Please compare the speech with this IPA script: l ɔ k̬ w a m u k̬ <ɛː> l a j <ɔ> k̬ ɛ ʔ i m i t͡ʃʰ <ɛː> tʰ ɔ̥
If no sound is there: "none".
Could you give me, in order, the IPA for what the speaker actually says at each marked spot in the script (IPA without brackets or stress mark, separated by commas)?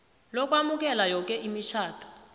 ɛ, ɔ, aː